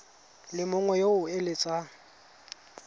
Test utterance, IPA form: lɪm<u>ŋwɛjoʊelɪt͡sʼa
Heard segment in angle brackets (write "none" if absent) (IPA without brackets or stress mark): ʊ